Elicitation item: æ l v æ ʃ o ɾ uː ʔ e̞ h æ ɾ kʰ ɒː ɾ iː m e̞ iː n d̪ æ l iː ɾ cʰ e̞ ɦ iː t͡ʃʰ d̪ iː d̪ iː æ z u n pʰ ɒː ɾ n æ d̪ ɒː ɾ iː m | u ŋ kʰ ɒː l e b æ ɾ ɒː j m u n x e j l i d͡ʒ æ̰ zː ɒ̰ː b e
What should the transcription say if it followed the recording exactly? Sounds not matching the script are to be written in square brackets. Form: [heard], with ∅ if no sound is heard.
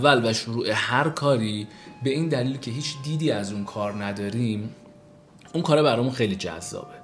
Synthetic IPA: æ l v æ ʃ o ɾ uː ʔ e̞ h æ ɾ kʰ ɒː ɾ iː [b] e̞ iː n d̪ æ l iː [l] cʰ e̞ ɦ iː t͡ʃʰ d̪ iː d̪ iː æ z u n [kʰ] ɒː ɾ n æ d̪ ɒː ɾ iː m | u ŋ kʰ ɒː [ɾ] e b æ ɾ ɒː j m u n x e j l i d͡ʒ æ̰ zː ɒ̰ː b e